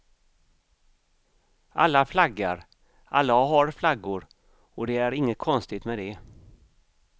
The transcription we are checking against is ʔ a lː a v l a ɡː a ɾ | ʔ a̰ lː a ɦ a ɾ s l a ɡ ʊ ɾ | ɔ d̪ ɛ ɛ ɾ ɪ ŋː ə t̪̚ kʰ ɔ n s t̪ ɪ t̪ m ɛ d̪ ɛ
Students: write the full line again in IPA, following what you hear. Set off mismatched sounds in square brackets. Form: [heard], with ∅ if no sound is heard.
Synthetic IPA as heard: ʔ a lː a [f] l a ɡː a ɾ | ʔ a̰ lː a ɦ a ɾ [f] l a ɡ ʊ ɾ | ɔ d̪ ɛ [æ] ɾ ɪ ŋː ə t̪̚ kʰ ɔ n s t̪ ɪ t̪ m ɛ d̪ ɛ